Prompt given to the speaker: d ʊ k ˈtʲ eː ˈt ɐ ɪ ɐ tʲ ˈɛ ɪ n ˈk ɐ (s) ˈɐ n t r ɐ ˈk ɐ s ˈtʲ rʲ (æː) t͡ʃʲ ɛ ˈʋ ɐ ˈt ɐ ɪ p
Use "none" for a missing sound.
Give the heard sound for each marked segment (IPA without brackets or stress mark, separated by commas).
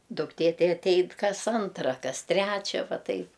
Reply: s, æː